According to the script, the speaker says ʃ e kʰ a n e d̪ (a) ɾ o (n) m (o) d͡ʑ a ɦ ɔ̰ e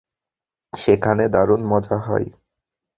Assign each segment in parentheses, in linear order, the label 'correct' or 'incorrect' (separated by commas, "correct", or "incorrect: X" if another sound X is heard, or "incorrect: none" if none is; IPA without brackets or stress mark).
correct, correct, incorrect: ɔ